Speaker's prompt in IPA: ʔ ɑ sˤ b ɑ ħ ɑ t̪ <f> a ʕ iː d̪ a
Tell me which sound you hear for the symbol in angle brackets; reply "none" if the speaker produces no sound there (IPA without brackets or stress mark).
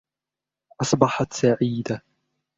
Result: s